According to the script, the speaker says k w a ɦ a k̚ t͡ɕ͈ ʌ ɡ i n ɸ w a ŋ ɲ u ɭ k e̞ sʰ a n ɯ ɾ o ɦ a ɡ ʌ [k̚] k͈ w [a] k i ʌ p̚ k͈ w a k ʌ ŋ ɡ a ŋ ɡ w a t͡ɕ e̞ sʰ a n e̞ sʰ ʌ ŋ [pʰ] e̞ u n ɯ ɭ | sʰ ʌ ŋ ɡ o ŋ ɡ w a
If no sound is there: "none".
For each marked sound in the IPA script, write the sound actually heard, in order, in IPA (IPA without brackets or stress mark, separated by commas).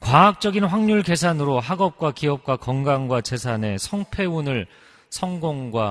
p̚, a, pʰ